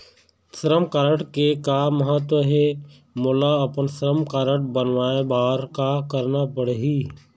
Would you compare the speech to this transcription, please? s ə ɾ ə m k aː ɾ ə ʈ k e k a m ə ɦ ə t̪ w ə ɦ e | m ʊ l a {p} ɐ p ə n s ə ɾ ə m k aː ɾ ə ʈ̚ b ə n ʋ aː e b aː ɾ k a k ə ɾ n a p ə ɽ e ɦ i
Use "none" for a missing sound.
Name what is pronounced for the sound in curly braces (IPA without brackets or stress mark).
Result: none